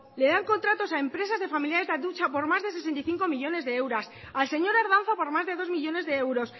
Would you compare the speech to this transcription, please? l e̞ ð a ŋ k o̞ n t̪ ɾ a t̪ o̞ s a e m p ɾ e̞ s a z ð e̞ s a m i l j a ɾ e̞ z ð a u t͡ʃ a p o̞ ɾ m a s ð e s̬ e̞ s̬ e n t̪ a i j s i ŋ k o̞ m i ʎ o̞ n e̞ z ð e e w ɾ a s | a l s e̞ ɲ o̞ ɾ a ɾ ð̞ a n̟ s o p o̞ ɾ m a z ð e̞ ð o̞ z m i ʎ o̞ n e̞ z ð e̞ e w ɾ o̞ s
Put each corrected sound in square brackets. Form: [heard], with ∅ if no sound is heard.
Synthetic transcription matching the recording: l e̞ ð a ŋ k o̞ n t̪ ɾ a t̪ o̞ s a e m p ɾ e̞ s a z ð e̞ [f] a m i l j a ɾ e̞ z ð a u t͡ʃ a p o̞ ɾ m a [z] ð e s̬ e̞ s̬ e n t̪ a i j [θ] i ŋ k o̞ m i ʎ o̞ n e̞ z ð e e w ɾ a s | a l s e̞ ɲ o̞ ɾ a ɾ ð̞ a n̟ [θ] o p o̞ ɾ m a z ð e̞ ð o̞ z m i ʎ o̞ n e̞ z ð e̞ e w ɾ o̞ s